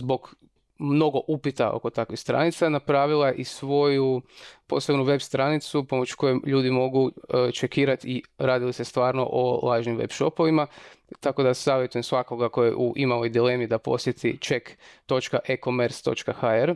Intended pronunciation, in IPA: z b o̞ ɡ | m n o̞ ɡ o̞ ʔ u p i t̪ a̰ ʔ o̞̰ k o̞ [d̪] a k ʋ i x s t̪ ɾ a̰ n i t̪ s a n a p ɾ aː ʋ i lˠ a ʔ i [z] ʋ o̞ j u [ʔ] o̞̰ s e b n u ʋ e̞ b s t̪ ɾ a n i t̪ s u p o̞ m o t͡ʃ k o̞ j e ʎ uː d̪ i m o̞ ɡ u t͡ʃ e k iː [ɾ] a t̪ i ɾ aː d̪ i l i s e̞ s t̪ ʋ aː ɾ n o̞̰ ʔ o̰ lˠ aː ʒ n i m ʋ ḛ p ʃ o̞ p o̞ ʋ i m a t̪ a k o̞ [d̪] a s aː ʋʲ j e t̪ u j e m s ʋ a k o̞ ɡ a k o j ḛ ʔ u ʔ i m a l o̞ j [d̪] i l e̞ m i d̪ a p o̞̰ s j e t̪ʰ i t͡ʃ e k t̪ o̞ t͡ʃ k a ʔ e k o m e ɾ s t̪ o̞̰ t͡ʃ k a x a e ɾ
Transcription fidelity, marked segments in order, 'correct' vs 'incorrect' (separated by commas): incorrect, incorrect, incorrect, correct, correct, correct